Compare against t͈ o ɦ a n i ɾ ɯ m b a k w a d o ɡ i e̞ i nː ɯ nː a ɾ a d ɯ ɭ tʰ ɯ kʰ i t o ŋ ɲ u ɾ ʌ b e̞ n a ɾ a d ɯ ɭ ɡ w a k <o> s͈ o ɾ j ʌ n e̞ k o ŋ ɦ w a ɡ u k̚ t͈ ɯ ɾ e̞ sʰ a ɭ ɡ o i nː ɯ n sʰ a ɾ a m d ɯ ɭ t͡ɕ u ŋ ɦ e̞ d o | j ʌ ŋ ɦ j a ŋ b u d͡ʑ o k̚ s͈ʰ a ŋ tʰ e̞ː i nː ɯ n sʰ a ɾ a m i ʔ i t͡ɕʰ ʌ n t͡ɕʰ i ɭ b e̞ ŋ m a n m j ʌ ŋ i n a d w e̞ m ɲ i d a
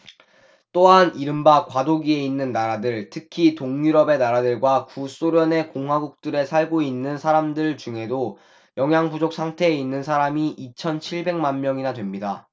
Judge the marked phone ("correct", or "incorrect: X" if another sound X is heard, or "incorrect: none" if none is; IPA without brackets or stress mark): incorrect: u